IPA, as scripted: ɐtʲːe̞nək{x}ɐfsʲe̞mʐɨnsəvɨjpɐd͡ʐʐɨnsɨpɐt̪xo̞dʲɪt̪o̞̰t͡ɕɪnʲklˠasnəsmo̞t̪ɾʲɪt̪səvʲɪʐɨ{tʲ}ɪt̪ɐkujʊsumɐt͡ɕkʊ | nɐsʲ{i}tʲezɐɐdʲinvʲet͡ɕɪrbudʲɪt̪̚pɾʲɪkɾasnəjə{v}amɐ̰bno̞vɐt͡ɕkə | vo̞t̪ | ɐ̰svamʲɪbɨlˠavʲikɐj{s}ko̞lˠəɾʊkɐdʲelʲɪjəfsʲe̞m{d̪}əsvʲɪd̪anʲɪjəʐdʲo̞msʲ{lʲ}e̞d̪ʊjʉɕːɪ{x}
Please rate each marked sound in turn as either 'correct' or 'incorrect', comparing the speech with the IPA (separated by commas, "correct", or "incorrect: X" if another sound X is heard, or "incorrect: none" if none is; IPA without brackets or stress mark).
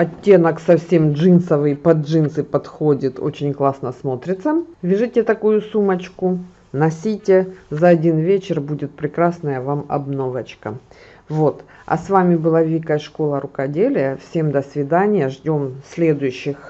incorrect: s, correct, correct, correct, incorrect: ʂ, correct, correct, correct